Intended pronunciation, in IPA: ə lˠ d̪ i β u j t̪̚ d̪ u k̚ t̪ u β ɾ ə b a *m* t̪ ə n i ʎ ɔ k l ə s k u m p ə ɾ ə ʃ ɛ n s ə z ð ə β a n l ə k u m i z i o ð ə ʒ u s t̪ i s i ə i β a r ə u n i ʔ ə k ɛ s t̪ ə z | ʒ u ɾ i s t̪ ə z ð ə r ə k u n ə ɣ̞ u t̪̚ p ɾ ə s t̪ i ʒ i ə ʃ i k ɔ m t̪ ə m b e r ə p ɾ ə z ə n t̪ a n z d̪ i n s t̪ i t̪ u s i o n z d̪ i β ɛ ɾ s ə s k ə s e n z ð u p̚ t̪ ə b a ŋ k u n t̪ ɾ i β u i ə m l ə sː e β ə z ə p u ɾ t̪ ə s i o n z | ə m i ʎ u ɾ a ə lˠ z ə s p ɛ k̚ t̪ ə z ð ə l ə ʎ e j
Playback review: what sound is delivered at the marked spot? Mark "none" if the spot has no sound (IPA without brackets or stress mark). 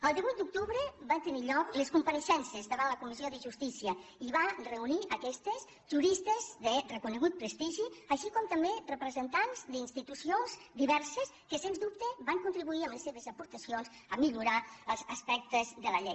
n